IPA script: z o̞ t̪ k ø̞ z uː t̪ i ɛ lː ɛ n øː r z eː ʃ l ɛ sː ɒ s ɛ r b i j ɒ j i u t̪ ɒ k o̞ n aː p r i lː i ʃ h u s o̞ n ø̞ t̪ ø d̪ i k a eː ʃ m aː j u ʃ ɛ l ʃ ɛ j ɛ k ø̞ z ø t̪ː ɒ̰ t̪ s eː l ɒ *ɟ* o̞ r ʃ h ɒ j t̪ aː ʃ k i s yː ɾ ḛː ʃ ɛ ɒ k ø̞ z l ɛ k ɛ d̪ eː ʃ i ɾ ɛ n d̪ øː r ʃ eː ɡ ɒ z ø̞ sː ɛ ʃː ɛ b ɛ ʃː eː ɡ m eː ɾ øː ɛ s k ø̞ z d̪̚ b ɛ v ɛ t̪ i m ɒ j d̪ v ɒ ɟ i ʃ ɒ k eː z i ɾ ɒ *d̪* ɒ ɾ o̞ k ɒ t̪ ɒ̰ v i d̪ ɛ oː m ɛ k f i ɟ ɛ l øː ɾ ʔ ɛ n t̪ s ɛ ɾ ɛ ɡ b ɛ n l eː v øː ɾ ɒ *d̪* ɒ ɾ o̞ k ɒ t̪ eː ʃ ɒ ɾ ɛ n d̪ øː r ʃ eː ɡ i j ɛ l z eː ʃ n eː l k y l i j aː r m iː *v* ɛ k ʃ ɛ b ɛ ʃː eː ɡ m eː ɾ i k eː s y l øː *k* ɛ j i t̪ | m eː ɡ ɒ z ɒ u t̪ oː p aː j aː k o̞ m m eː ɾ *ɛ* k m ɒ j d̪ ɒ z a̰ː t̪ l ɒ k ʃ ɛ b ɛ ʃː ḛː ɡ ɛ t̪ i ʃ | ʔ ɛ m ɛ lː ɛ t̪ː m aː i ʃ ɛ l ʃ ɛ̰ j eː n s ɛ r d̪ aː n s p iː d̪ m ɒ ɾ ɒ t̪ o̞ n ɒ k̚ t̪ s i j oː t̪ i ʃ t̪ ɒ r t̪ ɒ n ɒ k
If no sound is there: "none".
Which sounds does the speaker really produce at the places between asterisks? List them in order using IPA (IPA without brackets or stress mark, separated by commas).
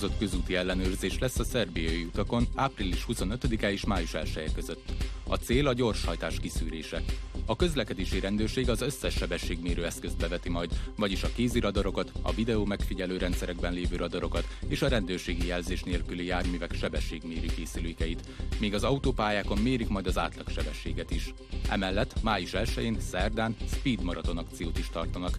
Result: ɟ, d̪, d̪, v, k, i